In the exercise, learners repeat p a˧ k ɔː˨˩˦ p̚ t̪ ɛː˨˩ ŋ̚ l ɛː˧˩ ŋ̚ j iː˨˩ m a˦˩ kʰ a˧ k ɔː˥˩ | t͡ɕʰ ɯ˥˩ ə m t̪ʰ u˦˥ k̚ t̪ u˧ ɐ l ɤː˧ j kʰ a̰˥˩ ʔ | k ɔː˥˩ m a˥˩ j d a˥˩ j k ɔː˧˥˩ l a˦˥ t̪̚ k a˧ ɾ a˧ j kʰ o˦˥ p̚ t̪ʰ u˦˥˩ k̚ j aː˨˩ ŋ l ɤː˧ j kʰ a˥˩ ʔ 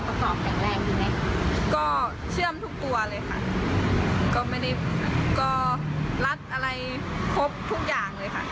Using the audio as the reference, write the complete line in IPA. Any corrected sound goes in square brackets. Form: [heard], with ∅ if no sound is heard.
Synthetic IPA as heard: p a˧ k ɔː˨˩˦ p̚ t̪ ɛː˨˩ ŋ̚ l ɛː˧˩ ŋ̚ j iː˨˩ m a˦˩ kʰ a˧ k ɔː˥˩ | t͡ɕʰ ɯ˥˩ ə m t̪ʰ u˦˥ k̚ t̪ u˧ ɐ l ɤː˧ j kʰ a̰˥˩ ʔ | k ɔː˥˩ m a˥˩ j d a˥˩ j k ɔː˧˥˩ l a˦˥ t̪̚ [ʔ] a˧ ɾ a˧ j kʰ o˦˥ p̚ t̪ʰ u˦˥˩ k̚ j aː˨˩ ŋ l ɤː˧ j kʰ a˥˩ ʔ